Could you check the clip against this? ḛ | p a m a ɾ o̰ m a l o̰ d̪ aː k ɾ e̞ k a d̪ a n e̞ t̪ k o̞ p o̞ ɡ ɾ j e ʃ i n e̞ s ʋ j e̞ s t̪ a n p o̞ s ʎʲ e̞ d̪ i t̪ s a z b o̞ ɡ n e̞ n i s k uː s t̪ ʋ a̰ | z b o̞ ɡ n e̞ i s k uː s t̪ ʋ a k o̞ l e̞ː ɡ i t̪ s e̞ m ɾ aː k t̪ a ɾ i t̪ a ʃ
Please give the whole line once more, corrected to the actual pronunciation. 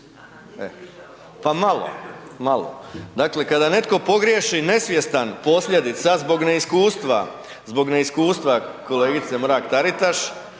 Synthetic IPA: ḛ | p a m a l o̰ m a l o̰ d̪ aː k l e̞ k a d̪ a n e̞ t̪ k o̞ p o̞ ɡ ɾ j e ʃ i n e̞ s ʋ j e̞ s t̪ a n p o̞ s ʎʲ e̞ d̪ i t̪ s a z b o̞ ɡ n e̞ i s k uː s t̪ ʋ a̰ | z b o̞ ɡ n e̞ i s k uː s t̪ ʋ a k o̞ l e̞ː ɡ i t̪ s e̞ m ɾ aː k t̪ a ɾ i t̪ a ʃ

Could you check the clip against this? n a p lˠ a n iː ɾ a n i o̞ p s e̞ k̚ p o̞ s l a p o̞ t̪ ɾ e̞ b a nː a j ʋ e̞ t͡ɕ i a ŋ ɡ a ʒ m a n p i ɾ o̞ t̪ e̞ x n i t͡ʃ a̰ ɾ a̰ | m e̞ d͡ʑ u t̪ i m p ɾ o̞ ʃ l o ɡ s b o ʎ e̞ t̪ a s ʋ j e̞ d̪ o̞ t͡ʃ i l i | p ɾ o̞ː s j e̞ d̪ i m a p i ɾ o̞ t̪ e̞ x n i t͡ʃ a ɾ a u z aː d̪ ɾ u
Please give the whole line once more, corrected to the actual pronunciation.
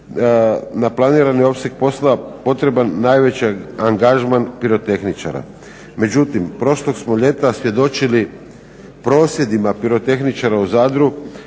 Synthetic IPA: n a p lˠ a n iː ɾ a n i o̞ p s e̞ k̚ p o̞ s l a p o̞ t̪ ɾ e̞ b a nː a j ʋ e̞ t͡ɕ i a ŋ ɡ a ʒ m a n p i ɾ o̞ t̪ e̞ x n i t͡ʃ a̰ ɾ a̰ | m e̞ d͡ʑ u t̪ i m p ɾ o̞ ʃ l o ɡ s m o ʎ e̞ t̪ a s ʋ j e̞ d̪ o̞ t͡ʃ i l i | p ɾ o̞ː s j e̞ d̪ i m a p i ɾ o̞ t̪ e̞ x n i t͡ʃ a ɾ a u z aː d̪ ɾ u

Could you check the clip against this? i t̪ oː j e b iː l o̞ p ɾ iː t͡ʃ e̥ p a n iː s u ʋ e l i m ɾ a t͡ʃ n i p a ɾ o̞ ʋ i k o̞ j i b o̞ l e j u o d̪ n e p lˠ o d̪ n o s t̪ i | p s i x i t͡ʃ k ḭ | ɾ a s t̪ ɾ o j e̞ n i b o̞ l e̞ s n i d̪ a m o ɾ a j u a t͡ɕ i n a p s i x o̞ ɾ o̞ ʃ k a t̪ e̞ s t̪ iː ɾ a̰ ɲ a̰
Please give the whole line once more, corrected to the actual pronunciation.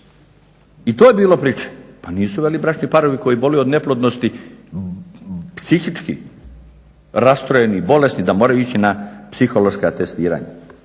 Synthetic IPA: i t̪ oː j e b iː l o̞ p ɾ iː t͡ʃ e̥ p a n iː s u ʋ e l i b ɾ a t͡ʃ n i p a ɾ o̞ ʋ i k o̞ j i b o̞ l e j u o d̪ n e p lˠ o d̪ n o s t̪ i | p s i x i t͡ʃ k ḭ | ɾ a s t̪ ɾ o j e̞ n i b o̞ l e̞ s n i d̪ a m o ɾ a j u i t͡ɕ i n a p s i x o̞ l o̞ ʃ k a t̪ e̞ s t̪ iː ɾ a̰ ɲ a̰

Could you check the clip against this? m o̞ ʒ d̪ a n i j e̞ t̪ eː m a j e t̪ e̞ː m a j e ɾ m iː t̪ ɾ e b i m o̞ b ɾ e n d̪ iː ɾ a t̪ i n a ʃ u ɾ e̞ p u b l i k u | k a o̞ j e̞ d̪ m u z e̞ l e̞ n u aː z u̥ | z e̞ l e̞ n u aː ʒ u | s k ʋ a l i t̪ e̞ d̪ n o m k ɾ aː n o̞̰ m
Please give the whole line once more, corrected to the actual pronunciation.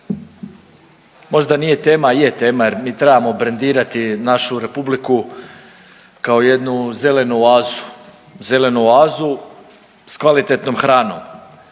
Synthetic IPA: m o̞ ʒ d̪ a n i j e̞ t̪ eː m a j e t̪ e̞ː m a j e ɾ m iː t̪ ɾ e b a m o̞ b ɾ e n d̪ iː ɾ a t̪ i n a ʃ u ɾ e̞ p u b l i k u | k a o̞ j e̞ d̪ n u z e̞ l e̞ n u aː z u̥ | z e̞ l e̞ n u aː z u | s k ʋ a l i t̪ e̞ t̪ n o m x ɾ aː n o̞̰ m

